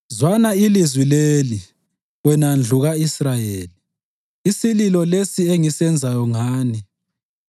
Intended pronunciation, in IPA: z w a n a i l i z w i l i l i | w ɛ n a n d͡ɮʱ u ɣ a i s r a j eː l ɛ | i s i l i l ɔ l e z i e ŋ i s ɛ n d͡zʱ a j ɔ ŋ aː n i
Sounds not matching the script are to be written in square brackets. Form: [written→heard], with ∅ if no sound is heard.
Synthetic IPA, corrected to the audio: z w a n a i l i z w i l [i→e] l i | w ɛ n a n d͡ɮʱ u ɣ a i s r a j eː l [ɛ→i] | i s i l i l ɔ l e [z→s] i e ŋ i s ɛ n d͡zʱ a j ɔ ŋ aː n i